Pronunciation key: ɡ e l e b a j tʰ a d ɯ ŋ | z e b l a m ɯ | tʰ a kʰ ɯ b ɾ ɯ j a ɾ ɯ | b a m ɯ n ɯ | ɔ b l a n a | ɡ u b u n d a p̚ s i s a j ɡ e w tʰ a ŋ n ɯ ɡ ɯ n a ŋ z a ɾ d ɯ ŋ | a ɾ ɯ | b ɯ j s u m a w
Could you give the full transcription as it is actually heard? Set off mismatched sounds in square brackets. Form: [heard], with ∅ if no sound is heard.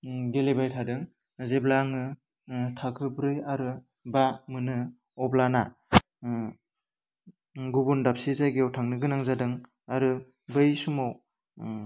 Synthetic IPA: ɡ e l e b a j tʰ a d ɯ ŋ | z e b l a [ŋ] ɯ | tʰ a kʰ ɯ b ɾ ɯ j a ɾ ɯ | b a m ɯ n ɯ | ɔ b l a n a | ɡ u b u n d a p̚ s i [z] a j ɡ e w tʰ a ŋ n ɯ ɡ ɯ n a ŋ z a [∅] d ɯ ŋ | a ɾ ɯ | b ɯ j s u m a w